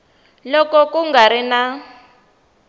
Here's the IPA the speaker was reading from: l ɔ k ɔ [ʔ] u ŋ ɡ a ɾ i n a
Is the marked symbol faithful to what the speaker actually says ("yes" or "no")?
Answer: no